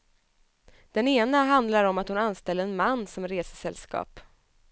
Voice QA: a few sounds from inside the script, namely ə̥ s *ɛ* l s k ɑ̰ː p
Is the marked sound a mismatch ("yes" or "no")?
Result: no